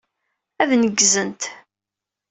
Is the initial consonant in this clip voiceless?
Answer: no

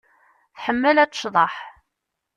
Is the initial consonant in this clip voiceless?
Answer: yes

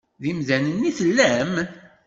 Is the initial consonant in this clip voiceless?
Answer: no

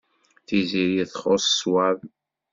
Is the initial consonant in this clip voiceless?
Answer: yes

